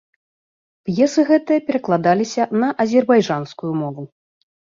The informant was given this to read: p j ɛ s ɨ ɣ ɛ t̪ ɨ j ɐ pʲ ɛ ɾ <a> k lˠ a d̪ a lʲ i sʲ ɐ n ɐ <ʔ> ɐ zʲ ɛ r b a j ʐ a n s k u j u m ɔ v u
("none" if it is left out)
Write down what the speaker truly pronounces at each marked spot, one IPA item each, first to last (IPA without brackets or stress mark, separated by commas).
ɐ, ʔ